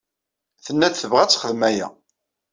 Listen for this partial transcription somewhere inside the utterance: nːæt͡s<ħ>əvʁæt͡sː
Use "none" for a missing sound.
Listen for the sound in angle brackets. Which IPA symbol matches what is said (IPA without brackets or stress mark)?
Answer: θ